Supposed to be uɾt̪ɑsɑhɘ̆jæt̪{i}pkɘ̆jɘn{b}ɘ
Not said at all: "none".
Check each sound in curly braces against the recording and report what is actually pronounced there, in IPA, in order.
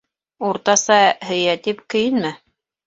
i, m

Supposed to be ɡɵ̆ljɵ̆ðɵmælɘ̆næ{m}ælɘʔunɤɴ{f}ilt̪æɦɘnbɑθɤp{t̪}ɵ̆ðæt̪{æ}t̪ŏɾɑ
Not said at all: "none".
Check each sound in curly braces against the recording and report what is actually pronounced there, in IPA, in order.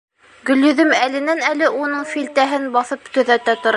n, f, t̪, æ

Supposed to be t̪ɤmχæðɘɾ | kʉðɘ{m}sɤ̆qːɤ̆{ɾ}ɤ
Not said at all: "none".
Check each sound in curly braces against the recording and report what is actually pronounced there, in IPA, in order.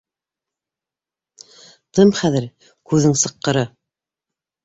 ŋ, ɾ

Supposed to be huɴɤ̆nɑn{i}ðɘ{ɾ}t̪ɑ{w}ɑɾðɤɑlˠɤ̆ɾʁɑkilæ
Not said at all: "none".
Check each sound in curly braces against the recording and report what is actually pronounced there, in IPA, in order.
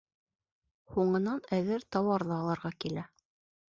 æ, ɾ, w

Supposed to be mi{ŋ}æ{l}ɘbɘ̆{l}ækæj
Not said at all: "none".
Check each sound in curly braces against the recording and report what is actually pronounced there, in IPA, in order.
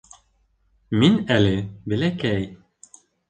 n, l, l

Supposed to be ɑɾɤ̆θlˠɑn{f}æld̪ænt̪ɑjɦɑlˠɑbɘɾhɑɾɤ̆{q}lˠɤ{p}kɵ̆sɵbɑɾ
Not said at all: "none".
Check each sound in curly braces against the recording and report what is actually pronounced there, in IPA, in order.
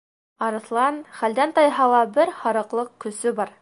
χ, q, q

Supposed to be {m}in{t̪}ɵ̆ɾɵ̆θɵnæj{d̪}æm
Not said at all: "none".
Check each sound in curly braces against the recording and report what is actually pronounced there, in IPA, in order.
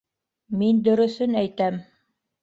m, d̪, t̪

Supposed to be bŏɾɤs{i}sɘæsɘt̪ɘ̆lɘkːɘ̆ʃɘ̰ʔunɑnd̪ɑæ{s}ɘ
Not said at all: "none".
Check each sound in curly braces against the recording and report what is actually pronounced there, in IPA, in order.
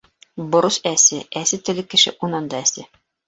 æ, s

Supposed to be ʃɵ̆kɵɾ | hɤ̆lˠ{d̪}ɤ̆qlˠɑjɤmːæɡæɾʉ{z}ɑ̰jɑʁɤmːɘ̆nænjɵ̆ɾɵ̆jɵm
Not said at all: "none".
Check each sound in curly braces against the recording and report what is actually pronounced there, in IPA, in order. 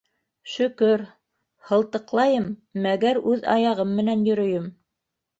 t̪, ð

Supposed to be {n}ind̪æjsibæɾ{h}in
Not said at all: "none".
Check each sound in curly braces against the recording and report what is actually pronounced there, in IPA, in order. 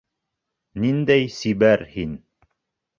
n, h

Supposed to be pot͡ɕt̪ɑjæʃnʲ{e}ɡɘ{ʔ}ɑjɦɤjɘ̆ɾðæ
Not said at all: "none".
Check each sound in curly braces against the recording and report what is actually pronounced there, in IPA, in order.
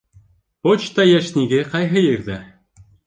i, q

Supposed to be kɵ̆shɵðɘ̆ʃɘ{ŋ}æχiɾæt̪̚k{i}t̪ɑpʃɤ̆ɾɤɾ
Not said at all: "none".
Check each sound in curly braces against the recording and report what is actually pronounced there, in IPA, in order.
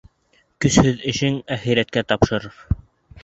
ŋ, æ

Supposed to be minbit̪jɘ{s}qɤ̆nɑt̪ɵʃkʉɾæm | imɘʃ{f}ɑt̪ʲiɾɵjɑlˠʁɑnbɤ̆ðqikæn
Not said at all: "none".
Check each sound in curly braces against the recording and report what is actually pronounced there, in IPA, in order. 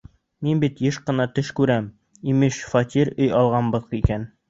ʃ, f

